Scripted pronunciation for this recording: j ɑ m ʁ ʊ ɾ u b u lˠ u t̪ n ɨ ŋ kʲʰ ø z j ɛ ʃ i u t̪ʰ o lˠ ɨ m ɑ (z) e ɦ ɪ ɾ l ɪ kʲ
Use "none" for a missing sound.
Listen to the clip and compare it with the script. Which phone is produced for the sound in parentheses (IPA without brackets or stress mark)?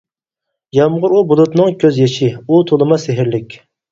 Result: s